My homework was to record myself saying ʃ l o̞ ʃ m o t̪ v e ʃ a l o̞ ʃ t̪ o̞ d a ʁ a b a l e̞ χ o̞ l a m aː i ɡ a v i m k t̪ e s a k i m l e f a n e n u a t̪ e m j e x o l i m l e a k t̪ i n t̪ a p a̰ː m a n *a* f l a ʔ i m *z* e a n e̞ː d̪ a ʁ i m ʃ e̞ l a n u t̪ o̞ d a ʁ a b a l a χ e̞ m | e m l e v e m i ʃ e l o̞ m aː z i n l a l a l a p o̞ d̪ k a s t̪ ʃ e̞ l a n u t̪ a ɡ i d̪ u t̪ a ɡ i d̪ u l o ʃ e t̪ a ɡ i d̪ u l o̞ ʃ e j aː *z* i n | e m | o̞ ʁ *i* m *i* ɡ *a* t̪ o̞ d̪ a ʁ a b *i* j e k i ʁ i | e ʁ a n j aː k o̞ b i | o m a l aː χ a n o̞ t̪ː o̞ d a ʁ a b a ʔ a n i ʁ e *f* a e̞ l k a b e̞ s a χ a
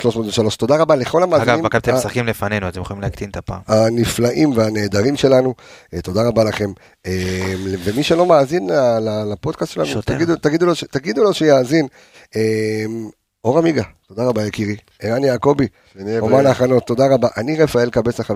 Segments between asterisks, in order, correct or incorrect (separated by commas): incorrect, incorrect, correct, incorrect, correct, correct, incorrect, correct